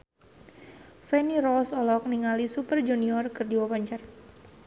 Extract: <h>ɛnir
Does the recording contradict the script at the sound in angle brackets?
yes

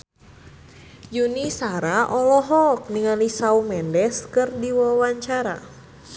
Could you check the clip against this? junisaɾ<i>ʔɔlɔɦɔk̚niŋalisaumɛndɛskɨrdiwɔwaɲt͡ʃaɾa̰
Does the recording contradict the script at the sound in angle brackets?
yes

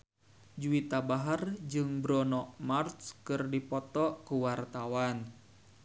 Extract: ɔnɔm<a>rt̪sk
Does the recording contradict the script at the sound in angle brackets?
no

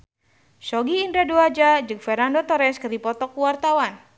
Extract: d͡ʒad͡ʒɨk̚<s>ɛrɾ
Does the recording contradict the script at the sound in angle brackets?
yes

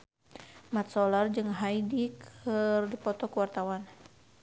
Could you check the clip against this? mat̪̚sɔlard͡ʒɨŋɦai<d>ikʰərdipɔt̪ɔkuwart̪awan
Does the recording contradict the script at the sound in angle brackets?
no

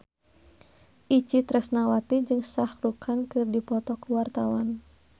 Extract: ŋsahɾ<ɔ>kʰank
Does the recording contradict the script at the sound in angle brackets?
yes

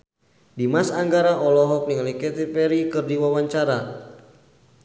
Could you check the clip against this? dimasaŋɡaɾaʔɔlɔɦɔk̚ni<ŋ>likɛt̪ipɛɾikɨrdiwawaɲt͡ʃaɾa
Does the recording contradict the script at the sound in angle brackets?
no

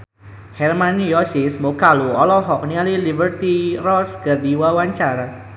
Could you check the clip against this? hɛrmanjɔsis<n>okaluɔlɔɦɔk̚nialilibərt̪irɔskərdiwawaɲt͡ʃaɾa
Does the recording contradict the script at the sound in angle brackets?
yes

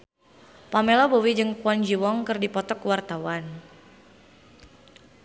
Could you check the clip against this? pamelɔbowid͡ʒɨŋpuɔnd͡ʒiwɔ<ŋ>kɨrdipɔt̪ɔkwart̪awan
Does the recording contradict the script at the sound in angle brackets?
no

